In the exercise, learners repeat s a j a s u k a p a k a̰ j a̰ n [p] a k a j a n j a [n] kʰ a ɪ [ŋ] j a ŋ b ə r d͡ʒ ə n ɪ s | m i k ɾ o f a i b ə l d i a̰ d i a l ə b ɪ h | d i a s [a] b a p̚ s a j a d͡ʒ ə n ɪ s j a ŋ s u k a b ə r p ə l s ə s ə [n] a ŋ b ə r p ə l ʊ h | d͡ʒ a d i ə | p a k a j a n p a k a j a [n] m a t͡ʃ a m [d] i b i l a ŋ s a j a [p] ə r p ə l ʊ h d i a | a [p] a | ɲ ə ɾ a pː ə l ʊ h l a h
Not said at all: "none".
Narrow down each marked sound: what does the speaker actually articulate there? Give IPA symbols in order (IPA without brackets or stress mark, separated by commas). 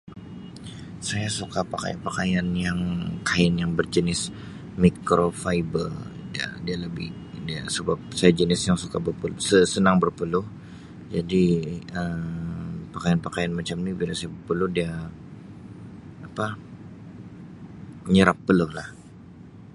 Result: p, ŋ, n, ə, n, n, n, b, p